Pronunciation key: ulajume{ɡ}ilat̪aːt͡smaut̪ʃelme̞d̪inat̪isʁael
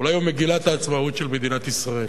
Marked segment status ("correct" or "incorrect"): correct